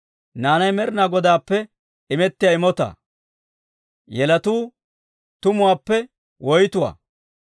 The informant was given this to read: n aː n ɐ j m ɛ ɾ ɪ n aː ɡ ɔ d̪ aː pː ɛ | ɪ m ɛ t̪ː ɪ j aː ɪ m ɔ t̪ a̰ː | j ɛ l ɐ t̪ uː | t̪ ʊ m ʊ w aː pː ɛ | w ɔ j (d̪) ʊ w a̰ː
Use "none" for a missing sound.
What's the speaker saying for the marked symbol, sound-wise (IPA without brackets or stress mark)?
t̪